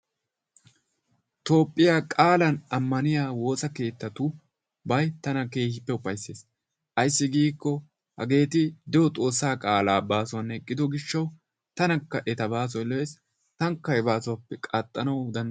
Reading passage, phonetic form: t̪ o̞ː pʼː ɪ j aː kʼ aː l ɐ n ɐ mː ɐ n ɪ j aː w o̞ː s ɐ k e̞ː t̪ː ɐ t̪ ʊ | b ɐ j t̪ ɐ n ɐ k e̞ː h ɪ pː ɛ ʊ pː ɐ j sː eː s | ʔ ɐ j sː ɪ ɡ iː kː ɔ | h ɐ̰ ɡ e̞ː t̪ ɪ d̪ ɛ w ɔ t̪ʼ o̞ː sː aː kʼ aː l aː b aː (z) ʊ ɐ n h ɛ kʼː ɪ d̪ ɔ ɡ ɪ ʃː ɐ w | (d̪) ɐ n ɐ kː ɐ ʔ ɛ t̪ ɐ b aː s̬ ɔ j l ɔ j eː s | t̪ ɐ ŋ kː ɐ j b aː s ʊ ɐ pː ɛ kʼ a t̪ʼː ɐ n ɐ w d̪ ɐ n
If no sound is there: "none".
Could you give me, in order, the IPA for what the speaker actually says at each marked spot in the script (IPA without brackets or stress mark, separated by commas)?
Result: s, t̪